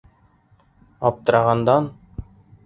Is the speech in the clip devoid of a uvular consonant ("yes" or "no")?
no